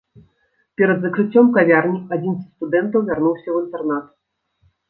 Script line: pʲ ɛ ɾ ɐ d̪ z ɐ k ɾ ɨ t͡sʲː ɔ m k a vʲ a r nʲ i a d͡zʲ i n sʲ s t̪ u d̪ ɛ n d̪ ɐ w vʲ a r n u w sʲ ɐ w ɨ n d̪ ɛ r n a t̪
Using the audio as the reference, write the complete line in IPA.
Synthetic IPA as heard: pʲ ɛ ɾ ɐ d̪ z ɐ k ɾ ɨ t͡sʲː ɔ m k a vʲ a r nʲ i a d͡zʲ i n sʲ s t̪ u d̪ ɛ n t̪ ɐ w vʲ a r n u w sʲ ɐ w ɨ n t̪ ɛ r n a t̪